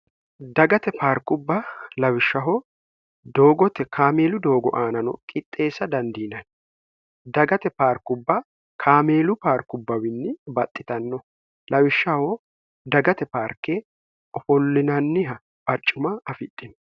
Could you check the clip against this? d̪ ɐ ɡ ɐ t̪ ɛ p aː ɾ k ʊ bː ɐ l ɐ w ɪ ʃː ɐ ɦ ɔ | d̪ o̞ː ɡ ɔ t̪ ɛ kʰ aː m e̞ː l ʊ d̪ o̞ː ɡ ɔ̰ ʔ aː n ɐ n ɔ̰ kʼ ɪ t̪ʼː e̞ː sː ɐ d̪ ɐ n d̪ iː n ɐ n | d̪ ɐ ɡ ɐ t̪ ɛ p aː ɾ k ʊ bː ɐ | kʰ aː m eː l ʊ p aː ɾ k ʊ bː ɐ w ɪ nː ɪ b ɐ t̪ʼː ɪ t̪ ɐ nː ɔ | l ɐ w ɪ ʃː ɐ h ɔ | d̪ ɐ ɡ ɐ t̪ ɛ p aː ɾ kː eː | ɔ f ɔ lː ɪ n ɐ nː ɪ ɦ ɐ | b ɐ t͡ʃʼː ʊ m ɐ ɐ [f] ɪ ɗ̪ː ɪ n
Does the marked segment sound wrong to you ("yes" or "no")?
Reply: no